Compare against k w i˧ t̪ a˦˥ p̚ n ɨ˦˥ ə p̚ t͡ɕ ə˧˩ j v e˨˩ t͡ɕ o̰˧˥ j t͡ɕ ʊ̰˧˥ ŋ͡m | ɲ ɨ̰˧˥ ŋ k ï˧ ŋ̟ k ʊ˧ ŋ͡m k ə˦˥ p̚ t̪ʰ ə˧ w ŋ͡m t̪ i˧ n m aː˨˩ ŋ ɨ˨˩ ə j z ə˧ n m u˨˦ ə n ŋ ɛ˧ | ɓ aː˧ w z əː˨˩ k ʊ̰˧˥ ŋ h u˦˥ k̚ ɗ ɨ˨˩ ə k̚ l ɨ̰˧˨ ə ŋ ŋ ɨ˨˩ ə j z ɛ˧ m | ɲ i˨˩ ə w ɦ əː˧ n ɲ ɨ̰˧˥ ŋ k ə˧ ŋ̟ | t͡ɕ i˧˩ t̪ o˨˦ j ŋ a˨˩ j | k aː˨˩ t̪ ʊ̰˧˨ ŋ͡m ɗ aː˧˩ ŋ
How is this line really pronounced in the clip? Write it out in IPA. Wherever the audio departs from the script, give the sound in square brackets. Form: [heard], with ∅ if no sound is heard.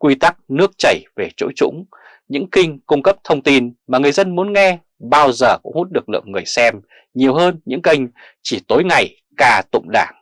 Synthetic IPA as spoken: k w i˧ t̪ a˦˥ [k̚] n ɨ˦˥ ə [k̚] t͡ɕ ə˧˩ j v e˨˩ t͡ɕ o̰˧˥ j t͡ɕ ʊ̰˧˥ ŋ͡m | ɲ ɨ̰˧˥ ŋ k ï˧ ŋ̟ k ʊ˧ ŋ͡m k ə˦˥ p̚ t̪ʰ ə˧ w ŋ͡m t̪ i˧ n m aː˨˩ ŋ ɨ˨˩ ə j z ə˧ n m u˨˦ ə n ŋ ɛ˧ | ɓ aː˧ w z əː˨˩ k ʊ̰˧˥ [ŋ͡m] h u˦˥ [t̚] ɗ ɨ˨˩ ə k̚ l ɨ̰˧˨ ə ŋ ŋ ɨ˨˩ ə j [s] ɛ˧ m | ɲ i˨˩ ə w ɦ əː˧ n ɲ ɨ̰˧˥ ŋ k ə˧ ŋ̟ | t͡ɕ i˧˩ t̪ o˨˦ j ŋ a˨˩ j | k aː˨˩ t̪ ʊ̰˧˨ ŋ͡m ɗ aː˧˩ ŋ